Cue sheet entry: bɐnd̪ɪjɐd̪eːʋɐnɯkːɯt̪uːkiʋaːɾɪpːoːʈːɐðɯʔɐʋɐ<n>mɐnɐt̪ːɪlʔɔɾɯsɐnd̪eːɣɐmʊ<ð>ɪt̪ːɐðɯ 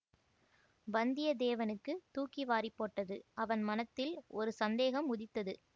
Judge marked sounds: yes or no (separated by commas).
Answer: yes, yes